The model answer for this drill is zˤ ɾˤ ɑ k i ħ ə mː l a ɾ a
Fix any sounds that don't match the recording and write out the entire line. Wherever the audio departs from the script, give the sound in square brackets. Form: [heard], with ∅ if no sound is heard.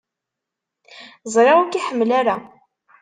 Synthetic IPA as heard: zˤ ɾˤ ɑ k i ħ ə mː l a ɾ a